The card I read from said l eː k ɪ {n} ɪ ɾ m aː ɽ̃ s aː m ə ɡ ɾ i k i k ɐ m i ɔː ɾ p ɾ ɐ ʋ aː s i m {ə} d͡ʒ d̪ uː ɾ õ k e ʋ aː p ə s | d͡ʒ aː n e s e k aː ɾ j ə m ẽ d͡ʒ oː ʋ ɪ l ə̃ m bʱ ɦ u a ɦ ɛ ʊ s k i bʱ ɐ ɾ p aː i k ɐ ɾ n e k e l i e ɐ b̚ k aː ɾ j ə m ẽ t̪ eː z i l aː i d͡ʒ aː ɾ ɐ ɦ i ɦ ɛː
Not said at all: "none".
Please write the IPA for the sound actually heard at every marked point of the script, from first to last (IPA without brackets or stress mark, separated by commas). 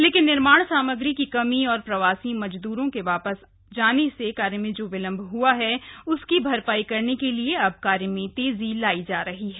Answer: nː, ɐ